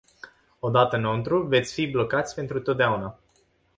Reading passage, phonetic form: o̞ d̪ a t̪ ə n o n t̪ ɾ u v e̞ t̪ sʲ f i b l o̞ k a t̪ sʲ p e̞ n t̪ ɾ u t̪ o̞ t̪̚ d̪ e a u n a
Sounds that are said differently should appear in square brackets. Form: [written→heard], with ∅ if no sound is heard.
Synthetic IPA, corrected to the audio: o̞ d̪ a t̪ ə n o n t̪ ɾ u v e̞ t̪ sʲ f i b l o̞ k a t̪ sʲ p e̞ n t̪ ɾ u t̪ o̞ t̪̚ d̪ e a u n a